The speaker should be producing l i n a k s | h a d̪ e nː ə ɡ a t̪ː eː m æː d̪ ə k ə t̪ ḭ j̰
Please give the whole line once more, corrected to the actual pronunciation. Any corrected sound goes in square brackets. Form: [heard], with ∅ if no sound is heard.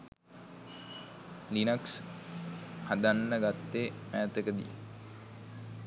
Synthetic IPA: l i n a k s | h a d̪ [a] nː ə ɡ a t̪ː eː m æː [t̪] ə k ə [d̪] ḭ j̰